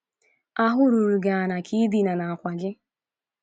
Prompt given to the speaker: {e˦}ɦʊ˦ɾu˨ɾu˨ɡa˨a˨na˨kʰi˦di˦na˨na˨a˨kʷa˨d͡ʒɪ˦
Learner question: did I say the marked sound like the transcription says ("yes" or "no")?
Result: no